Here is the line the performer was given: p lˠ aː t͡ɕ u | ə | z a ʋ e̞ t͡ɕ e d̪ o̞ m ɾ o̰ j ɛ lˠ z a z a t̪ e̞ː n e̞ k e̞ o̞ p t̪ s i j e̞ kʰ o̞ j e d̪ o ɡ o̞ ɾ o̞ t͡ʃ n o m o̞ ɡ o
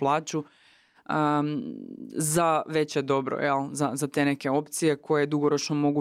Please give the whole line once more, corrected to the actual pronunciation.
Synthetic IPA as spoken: p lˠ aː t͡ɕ u | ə | z a ʋ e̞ t͡ɕ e d̪ o̞ b ɾ o̰ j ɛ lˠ z a z a t̪ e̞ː n e̞ k e̞ o̞ p t̪ s i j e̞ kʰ o̞ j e d̪ u ɡ o̞ ɾ o̞ t͡ʃ n o m o̞ ɡ u